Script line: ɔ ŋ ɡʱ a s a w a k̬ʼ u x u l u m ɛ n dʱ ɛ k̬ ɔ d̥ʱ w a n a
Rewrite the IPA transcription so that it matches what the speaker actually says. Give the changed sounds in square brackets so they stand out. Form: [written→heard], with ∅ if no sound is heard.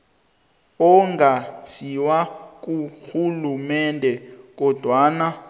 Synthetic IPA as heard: ɔ ŋ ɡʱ a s [a→i] w a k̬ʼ u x u l u m ɛ n dʱ ɛ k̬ ɔ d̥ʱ w a n a